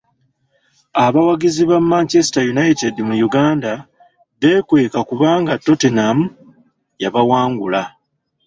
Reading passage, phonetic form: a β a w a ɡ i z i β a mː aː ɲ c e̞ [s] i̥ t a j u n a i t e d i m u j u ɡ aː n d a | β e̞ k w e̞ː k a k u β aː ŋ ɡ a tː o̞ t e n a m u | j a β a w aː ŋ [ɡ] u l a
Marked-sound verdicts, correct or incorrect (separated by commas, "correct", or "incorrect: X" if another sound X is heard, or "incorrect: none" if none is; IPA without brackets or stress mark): correct, correct